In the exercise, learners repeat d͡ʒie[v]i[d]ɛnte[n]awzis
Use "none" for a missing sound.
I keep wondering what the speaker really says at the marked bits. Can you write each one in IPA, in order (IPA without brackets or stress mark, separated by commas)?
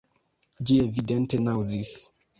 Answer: v, d, n